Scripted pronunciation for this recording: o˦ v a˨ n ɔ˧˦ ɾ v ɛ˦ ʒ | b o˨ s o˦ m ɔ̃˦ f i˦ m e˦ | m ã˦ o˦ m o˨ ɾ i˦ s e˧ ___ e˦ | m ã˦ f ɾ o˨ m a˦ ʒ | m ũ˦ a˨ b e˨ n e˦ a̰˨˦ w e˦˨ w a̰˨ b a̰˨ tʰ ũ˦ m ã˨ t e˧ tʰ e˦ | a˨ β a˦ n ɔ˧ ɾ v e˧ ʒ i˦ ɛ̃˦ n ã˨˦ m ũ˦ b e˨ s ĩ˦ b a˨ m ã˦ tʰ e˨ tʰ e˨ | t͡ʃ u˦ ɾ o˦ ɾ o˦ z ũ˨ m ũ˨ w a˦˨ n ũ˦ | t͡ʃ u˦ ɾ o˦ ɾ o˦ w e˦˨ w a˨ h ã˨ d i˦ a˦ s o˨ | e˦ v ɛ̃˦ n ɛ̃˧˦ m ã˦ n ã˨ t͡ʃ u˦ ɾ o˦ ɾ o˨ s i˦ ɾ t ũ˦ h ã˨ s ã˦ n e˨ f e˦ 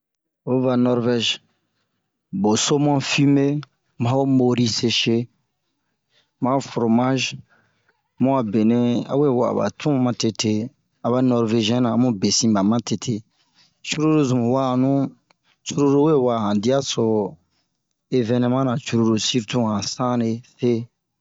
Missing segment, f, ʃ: ʃ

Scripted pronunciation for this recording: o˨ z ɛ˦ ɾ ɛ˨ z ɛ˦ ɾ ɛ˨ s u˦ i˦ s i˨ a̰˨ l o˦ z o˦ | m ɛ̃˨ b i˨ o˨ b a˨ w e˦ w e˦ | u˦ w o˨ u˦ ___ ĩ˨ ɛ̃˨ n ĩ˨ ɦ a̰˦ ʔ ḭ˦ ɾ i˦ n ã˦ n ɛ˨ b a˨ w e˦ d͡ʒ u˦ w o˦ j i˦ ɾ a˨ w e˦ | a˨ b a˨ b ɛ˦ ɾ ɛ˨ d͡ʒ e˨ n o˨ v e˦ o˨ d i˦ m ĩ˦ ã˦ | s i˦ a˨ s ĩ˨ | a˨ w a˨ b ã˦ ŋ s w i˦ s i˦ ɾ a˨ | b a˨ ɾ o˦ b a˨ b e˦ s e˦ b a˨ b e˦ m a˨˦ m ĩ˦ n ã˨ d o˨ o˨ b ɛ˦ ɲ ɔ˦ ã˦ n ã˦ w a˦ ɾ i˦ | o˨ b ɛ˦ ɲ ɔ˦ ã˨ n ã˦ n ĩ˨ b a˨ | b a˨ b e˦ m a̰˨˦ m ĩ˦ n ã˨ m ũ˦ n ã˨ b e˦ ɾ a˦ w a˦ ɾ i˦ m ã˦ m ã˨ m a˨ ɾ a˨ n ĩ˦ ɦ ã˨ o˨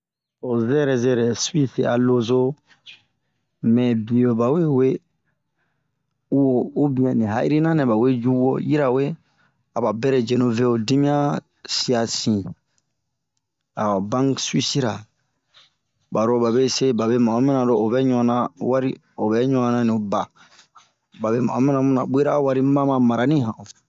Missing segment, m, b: b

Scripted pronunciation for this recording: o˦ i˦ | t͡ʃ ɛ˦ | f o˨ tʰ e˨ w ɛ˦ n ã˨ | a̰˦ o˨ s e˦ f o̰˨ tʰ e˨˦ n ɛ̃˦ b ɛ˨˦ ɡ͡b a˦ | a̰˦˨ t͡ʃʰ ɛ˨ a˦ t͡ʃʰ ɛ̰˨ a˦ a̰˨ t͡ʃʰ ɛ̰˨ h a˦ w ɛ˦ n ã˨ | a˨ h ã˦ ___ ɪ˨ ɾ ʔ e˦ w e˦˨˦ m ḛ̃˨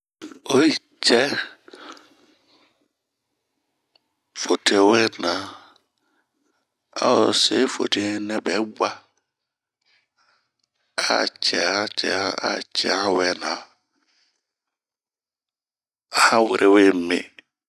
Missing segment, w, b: w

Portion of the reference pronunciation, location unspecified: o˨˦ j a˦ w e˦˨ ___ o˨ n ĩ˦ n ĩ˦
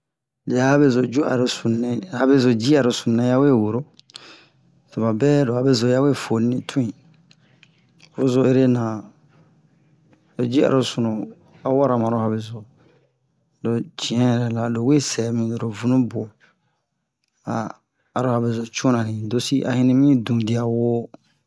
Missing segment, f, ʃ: f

